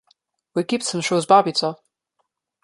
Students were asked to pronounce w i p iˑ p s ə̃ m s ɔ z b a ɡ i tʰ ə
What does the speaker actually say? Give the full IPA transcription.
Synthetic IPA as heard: w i k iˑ p s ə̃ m ʃ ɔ z b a b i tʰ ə